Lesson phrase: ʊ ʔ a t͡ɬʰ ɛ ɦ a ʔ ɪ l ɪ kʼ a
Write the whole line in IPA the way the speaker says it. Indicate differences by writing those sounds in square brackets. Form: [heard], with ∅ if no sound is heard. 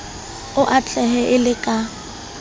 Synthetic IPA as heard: ʊ ʔ a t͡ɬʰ ɛ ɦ [ɛ] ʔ ɪ l ɪ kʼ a

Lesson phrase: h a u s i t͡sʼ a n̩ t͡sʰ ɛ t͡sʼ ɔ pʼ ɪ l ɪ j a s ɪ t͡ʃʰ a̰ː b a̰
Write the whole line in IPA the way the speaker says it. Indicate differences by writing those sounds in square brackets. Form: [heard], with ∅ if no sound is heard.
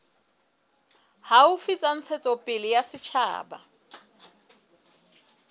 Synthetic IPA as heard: h a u [f] i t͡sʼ a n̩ t͡sʰ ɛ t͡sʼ ɔ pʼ ɪ l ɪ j a s ɪ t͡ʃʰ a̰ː b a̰

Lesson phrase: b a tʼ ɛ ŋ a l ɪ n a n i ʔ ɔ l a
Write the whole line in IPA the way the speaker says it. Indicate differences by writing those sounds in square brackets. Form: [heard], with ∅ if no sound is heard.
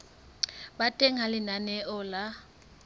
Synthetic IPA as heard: b a tʼ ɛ ŋ a l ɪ n a n [ɛ] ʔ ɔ l a

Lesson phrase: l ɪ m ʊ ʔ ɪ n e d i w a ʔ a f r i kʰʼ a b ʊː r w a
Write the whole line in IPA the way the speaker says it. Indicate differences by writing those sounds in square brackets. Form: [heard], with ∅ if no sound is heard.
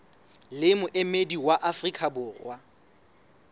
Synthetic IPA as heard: l ɪ m ʊ ʔ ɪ [m] e d i w a ʔ a f r i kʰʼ a b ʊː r w a

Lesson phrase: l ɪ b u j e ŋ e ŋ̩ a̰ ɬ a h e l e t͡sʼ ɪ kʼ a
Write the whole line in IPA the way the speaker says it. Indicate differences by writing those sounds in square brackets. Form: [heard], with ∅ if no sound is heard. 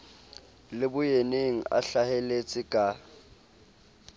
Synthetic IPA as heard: l ɪ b [ʊ] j e [n] e ŋ̩ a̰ ɬ a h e l e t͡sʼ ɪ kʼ a

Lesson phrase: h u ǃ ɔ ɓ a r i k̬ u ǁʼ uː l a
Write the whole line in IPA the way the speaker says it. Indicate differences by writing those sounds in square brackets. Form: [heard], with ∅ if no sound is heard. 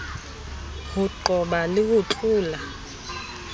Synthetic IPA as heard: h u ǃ ɔ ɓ a [l] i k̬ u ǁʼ uː l a

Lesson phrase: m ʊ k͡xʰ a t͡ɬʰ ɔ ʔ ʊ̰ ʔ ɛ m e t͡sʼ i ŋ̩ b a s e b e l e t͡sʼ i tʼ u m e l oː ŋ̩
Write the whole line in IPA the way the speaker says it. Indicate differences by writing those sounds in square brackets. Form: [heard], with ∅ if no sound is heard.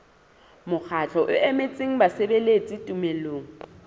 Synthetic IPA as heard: m ʊ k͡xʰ a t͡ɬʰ ɔ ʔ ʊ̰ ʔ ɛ m e t͡sʼ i ŋ̩ b a s e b e l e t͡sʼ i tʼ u m e l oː ŋ̩

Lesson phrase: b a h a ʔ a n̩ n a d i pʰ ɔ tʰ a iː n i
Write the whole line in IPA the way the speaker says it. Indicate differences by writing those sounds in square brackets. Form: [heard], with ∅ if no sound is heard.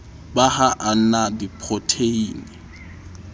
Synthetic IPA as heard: b a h a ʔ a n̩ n a d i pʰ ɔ tʰ [e] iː n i

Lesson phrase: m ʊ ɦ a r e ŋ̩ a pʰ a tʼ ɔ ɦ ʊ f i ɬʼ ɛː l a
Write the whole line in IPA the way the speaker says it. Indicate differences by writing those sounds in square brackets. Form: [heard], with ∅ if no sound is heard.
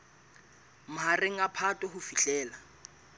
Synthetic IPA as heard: m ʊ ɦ a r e ŋ̩ a pʰ a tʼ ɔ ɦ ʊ f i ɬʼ ɛː l a

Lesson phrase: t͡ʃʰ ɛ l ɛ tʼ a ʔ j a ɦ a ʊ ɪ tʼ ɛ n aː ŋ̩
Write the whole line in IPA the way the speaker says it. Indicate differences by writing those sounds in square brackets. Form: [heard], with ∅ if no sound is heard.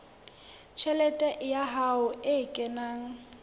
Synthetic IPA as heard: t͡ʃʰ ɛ l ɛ tʼ [ɛ] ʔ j a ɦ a ʊ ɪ [kʼ] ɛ n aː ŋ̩

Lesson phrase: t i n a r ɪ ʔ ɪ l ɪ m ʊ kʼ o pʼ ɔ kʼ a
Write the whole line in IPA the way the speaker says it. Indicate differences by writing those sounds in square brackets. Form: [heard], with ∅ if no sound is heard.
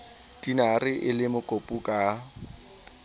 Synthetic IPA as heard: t i n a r ɪ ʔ ɪ l ɪ m ʊ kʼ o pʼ [u] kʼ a

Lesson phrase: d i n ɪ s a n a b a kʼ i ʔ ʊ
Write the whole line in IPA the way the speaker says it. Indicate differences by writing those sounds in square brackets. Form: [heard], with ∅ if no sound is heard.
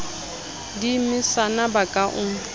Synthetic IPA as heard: d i [m] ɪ s a n a b a kʼ [a] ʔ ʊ

